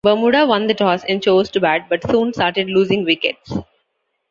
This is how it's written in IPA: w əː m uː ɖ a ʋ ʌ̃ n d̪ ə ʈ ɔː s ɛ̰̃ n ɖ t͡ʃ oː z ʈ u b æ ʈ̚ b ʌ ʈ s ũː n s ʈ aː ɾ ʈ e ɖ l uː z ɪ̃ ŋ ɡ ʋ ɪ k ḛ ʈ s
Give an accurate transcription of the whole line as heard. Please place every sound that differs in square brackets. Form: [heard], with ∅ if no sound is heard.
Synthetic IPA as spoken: [b] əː m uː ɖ a ʋ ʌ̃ n d̪ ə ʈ ɔː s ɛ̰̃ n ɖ t͡ʃ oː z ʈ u b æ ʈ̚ b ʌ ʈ s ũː n s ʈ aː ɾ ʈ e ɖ l uː z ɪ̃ ŋ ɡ ʋ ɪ k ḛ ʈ s